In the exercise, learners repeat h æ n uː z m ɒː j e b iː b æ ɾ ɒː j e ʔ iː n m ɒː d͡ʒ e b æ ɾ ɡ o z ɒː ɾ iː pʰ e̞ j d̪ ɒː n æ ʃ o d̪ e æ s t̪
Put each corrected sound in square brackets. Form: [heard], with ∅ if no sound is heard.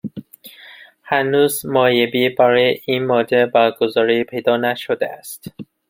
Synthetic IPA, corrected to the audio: h æ n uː z m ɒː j e b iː b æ ɾ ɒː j e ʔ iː n m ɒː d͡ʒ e b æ ɾ ɡ o z ɒː ɾ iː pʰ e̞ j d̪ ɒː n æ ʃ o d̪ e æ s t̪

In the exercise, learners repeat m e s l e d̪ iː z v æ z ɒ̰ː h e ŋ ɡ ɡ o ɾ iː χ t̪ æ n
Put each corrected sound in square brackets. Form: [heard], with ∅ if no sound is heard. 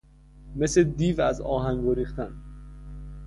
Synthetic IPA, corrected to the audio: m e s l e d̪ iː [∅] v æ z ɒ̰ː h [æ] ŋ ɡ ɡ o ɾ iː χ t̪ æ n

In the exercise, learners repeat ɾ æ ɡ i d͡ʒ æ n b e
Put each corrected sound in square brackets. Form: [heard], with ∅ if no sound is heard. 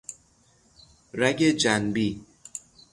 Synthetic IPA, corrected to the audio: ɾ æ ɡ [e] d͡ʒ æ n b [i]

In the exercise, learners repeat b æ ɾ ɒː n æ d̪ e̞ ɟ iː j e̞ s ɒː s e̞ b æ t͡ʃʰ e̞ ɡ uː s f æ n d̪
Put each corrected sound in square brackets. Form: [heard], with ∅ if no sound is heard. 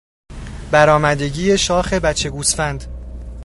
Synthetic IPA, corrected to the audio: b æ ɾ ɒː [m] æ d̪ e̞ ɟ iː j e̞ [ʃ] ɒː [x] e̞ b æ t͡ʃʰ e̞ ɡ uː s f æ n d̪

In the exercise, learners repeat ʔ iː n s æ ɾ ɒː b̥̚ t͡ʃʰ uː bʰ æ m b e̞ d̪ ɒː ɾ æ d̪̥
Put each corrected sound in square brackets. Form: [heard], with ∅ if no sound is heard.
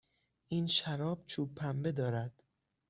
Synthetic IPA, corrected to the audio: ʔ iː n [ʃ] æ ɾ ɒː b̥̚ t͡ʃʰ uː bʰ æ m b e̞ d̪ ɒː ɾ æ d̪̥

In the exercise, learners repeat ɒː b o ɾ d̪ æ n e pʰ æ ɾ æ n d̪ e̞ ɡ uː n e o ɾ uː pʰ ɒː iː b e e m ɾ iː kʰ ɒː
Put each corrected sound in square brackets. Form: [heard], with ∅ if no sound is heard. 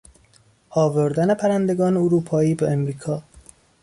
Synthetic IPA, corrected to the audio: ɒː [v] o ɾ d̪ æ n e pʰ æ ɾ æ n d̪ e̞ ɡ [ɒː] n e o ɾ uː pʰ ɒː iː b e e m ɾ iː kʰ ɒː

